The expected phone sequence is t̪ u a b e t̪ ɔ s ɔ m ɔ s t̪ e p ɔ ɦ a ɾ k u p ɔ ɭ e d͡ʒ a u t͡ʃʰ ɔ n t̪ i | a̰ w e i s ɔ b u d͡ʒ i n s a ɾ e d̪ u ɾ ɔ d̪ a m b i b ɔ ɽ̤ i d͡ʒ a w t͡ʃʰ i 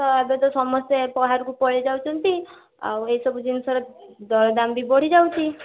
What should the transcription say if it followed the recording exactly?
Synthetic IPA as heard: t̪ ɔ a b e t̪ ɔ s ɔ m ɔ s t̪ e p ɔ ɦ a ɾ k u p ɔ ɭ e d͡ʒ a w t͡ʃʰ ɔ n t̪ i | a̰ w e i s ɔ b u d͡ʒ i n s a ɾ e d̪ ɔ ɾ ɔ d̪ a m b i b ɔ ɽ̤ i d͡ʒ a w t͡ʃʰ i